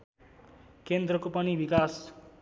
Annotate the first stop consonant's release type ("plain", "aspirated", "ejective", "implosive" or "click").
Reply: plain